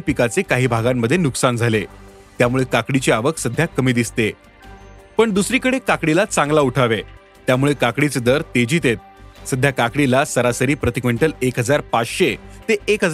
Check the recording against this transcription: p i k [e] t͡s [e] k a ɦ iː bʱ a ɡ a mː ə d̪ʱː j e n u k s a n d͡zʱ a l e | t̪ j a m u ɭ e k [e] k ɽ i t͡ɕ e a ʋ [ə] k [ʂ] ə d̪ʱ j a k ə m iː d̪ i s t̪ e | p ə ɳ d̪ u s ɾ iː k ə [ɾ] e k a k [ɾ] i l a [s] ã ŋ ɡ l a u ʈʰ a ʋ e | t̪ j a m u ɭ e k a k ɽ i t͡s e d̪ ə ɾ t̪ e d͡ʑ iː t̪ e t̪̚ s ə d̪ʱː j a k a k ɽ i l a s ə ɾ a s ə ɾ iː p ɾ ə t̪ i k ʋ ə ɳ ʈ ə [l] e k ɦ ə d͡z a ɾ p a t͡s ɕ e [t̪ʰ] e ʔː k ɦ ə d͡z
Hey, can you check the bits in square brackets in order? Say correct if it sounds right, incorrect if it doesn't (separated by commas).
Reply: incorrect, correct, incorrect, correct, incorrect, incorrect, incorrect, incorrect, correct, incorrect